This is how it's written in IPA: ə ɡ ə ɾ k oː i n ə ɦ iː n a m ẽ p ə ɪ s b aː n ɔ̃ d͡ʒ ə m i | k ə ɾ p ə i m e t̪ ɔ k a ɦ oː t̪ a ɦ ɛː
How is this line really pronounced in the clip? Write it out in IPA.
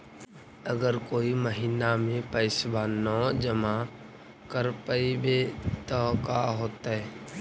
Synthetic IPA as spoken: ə ɡ ə ɾ k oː i m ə ɦ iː n a m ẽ p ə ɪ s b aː n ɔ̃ d͡ʒ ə m a | k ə ɾ p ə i b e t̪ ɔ k a ɦ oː t̪ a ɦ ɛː

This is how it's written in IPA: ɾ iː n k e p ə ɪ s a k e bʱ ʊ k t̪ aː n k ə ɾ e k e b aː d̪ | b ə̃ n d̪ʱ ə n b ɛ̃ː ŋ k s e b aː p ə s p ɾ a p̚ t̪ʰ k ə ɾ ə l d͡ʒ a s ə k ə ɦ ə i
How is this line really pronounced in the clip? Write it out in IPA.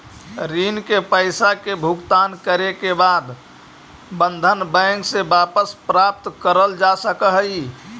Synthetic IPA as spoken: ɾ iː n k e p ə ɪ s a k e bʱ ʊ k t̪ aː n k ə ɾ e k e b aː d̪ | b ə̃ n d̪ʱ ə n b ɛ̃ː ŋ k s e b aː p ə s p ɾ a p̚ t̪ k ə ɾ ə l d͡ʒ a s ə k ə ɦ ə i

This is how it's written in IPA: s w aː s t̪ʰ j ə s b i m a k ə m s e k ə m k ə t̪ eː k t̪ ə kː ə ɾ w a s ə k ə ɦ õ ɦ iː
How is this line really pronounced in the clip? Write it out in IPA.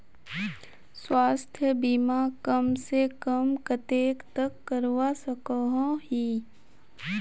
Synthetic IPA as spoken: s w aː s t̪ʰ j ə b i m a k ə m s e k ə m k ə t̪ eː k t̪ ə kː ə ɾ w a s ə k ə ɦ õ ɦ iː

